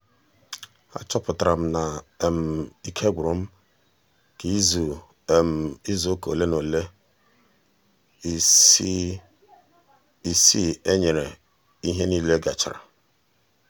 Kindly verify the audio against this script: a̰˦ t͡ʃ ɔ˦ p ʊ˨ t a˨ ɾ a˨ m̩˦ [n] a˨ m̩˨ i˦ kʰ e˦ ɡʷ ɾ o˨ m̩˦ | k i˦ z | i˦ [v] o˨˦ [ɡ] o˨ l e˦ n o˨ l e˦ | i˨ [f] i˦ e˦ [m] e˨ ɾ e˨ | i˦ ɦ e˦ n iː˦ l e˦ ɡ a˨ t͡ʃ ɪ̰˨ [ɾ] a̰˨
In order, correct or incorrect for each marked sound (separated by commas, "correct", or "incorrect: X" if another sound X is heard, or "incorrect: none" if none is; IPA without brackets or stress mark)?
correct, incorrect: z, incorrect: k, incorrect: s, incorrect: ɲ, correct